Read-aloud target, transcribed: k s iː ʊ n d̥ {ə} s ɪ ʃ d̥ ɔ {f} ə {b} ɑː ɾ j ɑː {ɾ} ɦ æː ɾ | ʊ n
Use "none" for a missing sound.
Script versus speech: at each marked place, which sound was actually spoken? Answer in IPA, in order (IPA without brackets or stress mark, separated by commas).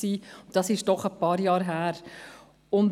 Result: ɑ, χ, p, ɾ